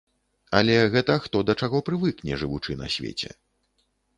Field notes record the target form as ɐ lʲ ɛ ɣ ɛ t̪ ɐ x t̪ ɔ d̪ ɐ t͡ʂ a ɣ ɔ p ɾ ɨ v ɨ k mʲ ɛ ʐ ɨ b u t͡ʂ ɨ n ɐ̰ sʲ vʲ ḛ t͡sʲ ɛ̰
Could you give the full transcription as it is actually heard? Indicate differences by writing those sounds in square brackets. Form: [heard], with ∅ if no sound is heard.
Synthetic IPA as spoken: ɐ lʲ ɛ ɣ ɛ t̪ ɐ x t̪ ɔ d̪ ɐ t͡ʂ a ɣ ɔ p ɾ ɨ v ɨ k [nʲ] ɛ ʐ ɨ [v] u t͡ʂ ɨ n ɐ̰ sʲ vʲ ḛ t͡sʲ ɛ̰

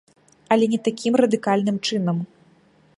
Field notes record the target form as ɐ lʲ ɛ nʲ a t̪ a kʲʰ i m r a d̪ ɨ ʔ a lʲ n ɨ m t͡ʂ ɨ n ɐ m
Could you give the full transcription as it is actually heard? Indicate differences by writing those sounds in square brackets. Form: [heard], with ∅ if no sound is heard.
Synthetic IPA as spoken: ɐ lʲ ɛ nʲ [ɛ] t̪ a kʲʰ i m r [ɐ] d̪ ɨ [k] a lʲ n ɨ m t͡ʂ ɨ n ɐ m

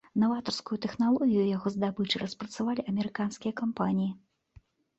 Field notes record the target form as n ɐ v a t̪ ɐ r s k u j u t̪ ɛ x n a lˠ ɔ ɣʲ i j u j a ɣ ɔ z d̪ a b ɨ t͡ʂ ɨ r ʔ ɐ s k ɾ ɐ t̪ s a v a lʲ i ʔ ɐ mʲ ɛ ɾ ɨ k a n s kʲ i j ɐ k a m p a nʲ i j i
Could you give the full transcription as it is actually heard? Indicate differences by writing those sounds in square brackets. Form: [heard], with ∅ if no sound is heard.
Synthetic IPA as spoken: n ɐ v a t̪ ɐ r s k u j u t̪ ɛ x n a lˠ ɔ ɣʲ i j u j a ɣ ɔ z d̪ a b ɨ t͡ʂ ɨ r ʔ ɐ s [p] ɾ ɐ t̪ s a v a lʲ i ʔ ɐ mʲ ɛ ɾ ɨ k a n s kʲ i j ɐ k a m p a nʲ i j i

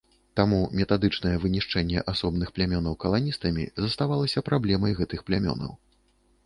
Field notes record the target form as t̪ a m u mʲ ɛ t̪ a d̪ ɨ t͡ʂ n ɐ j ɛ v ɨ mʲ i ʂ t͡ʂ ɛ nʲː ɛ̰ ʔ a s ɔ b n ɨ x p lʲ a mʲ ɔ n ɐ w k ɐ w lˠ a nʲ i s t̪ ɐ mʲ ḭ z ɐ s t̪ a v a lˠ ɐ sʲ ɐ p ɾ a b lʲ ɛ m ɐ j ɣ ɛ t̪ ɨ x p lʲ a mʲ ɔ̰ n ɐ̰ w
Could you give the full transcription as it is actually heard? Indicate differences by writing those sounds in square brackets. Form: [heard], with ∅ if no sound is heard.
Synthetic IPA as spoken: t̪ a m u mʲ ɛ t̪ a d̪ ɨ t͡ʂ n ɐ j ɛ v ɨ [nʲ] i ʂ t͡ʂ ɛ nʲː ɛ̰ ʔ a s ɔ b n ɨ x p lʲ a mʲ ɔ n ɐ w k ɐ [∅] lˠ a nʲ i s t̪ ɐ mʲ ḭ z ɐ s t̪ a v a lˠ ɐ sʲ ɐ p ɾ a b lʲ ɛ m ɐ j ɣ ɛ t̪ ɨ x p lʲ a mʲ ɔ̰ n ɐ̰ w

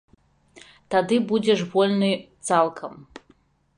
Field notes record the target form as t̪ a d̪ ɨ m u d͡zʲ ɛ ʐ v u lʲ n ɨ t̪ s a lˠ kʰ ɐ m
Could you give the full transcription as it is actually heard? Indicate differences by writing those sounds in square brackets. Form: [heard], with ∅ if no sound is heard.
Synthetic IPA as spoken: t̪ a d̪ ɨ [b] u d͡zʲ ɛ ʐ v [ɔ] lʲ n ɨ t̪ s a lˠ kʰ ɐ m

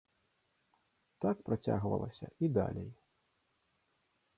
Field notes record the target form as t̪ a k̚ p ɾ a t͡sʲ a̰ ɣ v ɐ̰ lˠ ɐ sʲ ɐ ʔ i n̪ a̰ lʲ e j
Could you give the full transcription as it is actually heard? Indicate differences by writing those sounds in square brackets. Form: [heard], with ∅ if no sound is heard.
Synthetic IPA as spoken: t̪ a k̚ p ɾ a t͡sʲ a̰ ɣ v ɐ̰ lˠ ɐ sʲ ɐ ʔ i [d̪] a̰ lʲ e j

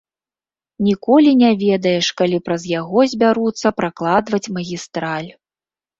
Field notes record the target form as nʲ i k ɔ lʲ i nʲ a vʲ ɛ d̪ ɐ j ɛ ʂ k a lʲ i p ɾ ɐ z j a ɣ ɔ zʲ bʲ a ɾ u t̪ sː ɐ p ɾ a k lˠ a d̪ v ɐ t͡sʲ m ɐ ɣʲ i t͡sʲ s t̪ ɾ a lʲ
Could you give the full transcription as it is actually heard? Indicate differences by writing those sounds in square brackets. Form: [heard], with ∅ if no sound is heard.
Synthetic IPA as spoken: nʲ i k ɔ lʲ i nʲ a vʲ ɛ d̪ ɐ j ɛ ʂ k a lʲ i p ɾ ɐ z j a ɣ ɔ zʲ bʲ a ɾ u t̪ sː ɐ p ɾ a k lˠ a d̪ v ɐ t͡sʲ m ɐ ɣʲ i [∅] s t̪ ɾ a lʲ

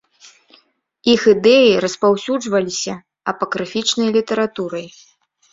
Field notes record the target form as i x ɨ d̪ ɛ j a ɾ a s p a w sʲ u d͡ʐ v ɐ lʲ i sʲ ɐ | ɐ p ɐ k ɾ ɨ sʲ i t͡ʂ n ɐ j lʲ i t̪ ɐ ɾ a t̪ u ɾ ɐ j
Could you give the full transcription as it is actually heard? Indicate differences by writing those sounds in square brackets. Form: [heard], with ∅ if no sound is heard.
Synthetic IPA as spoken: i x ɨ d̪ ɛ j [i] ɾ [ɐ] s p a w sʲ u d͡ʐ v ɐ lʲ i sʲ ɐ | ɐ p ɐ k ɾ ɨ [fʲ] i t͡ʂ n ɐ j lʲ i t̪ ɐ ɾ a t̪ u ɾ ɐ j

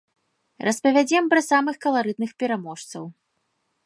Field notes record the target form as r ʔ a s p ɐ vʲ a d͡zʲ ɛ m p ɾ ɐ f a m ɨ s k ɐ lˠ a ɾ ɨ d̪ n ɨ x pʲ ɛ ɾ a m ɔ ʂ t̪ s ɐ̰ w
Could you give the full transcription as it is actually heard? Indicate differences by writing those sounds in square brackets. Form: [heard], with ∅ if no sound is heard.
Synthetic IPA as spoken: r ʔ [ɐ] s p ɐ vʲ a d͡zʲ ɛ m p ɾ ɐ [s] a m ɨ [x] k ɐ lˠ a ɾ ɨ d̪ n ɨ x pʲ ɛ ɾ a m ɔ ʂ t̪ s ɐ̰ w

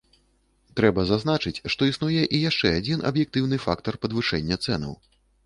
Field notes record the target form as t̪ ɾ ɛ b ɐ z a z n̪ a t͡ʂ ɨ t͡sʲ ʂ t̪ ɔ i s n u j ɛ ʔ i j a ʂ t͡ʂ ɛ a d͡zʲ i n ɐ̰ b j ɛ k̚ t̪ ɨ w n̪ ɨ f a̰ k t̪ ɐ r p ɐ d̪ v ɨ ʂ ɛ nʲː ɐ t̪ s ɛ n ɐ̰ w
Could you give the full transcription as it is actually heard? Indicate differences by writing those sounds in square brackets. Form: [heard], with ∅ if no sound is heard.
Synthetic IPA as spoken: t̪ ɾ ɛ b ɐ z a z n̪ a t͡ʂ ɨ t͡sʲ ʂ t̪ ɔ i s n u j ɛ ʔ i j a ʂ t͡ʂ ɛ a d͡zʲ i n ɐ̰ b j ɛ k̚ t̪ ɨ w n̪ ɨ f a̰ k t̪ ɐ r p ɐ d̪ v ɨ ʂ ɛ nʲː ɐ t̪ s ɛ n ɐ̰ w

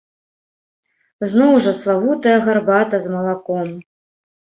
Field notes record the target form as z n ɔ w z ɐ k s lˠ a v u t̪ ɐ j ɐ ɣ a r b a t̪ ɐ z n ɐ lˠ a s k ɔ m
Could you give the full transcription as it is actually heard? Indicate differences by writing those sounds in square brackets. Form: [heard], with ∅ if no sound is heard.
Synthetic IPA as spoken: z n ɔ w [ʐ] ɐ [∅] s lˠ a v u t̪ ɐ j ɐ ɣ a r b a t̪ ɐ z [m] ɐ lˠ a [∅] k ɔ m

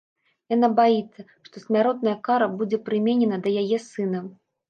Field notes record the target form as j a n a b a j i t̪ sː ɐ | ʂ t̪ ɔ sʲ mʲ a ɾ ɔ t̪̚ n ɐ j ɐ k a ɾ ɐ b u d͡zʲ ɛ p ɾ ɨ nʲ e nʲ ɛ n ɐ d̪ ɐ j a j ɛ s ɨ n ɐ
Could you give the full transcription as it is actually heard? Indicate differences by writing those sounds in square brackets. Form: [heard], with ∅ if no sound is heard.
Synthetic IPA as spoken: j a n a b a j i t̪ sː ɐ | ʂ t̪ ɔ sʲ mʲ a ɾ ɔ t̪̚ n ɐ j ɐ k a ɾ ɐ b u d͡zʲ ɛ p ɾ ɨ [mʲ] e nʲ ɛ n ɐ d̪ ɐ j a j ɛ s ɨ n ɐ

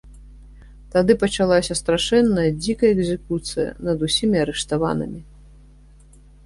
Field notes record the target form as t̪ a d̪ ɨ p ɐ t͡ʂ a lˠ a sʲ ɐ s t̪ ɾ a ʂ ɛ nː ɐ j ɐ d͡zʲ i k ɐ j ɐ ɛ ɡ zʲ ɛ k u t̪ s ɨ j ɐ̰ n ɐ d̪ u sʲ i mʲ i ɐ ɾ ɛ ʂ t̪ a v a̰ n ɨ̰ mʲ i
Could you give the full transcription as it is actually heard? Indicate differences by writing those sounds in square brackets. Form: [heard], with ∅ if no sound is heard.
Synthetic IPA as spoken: t̪ a d̪ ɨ p ɐ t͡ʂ a lˠ a sʲ ɐ s t̪ ɾ a ʂ ɛ nː ɐ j ɐ d͡zʲ i k ɐ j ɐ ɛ ɡ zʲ ɛ k u t̪ s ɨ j ɐ̰ n ɐ d̪ u sʲ i mʲ i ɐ ɾ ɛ ʂ t̪ a v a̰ n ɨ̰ mʲ i

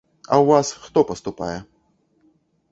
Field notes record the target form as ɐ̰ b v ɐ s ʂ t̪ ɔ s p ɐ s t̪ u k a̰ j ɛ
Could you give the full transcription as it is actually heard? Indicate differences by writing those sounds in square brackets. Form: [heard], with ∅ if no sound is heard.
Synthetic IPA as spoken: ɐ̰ [w] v [a] s [x] t̪ ɔ [∅] p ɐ s t̪ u [p] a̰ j ɛ

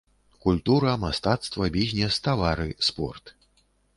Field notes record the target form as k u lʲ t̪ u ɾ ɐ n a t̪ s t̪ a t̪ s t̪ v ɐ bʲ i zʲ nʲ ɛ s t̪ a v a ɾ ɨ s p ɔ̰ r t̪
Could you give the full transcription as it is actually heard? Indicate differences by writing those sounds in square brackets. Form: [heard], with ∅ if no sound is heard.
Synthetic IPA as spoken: k u lʲ t̪ u ɾ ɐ [m] a [∅] s t̪ a t̪ s t̪ v ɐ bʲ i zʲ nʲ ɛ s t̪ a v a ɾ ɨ s p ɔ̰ r t̪

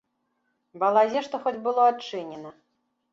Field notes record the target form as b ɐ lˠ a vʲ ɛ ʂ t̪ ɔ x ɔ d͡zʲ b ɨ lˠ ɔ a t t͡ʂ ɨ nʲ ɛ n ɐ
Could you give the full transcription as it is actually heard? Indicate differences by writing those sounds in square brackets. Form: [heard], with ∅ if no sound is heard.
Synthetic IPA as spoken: b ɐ lˠ a [zʲ] ɛ ʂ t̪ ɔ x ɔ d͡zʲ b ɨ lˠ ɔ a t t͡ʂ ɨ nʲ ɛ n ɐ

